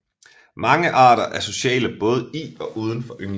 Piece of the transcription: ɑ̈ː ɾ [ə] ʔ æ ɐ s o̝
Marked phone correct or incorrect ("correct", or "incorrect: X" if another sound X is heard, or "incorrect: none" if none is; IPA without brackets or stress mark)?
incorrect: ɐ